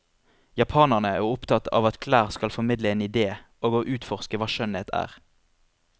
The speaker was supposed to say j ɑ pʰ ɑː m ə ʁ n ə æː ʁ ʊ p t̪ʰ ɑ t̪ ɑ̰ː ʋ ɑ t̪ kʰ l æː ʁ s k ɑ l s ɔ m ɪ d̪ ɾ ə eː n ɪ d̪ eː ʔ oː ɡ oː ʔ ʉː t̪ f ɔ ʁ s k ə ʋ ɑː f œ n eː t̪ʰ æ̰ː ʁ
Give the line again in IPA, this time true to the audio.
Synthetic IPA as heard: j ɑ pʰ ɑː n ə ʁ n ə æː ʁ ʊ p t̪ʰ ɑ t̪ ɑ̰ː ʋ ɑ t̪ kʰ l æː ʁ s k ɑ l f ɔ m ɪ d̪ l ə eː n ɪ d̪ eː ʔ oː ɡ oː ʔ ʉː t̪ f ɔ ʁ s k ə ʋ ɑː ʃ œ n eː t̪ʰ æ̰ː ʁ